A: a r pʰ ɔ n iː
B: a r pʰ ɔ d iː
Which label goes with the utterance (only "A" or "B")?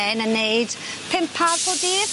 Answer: B